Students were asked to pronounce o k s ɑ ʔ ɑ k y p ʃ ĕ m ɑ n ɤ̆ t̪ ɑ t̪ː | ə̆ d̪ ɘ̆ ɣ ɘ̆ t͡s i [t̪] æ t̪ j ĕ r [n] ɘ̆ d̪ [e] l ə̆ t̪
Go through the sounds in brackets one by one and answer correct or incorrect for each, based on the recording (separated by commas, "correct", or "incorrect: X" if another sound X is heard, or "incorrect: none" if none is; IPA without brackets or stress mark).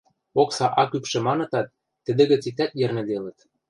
correct, correct, correct